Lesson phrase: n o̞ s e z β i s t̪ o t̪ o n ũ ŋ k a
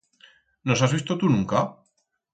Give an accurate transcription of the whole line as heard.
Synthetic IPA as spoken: n o̞ s a z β i s t̪ o t̪ u n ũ ŋ k a